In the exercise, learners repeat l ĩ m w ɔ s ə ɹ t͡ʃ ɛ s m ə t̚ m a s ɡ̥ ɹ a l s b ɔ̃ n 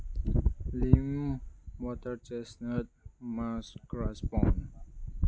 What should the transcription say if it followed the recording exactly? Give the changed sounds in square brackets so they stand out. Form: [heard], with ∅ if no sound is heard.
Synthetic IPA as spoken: l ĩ m w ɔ [t] ə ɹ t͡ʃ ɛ s [n] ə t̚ m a s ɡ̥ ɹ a [∅] s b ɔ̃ n